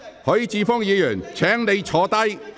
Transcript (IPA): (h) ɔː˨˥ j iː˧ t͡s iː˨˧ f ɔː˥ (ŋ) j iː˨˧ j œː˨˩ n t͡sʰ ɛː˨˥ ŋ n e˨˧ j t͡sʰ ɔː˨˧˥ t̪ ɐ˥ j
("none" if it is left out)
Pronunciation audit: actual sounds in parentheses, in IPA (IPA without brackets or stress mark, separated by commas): h, ŋ